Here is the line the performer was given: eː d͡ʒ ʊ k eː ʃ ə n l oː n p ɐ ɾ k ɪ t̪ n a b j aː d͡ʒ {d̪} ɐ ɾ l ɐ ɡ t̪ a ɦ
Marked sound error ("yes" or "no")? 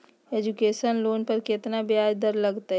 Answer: no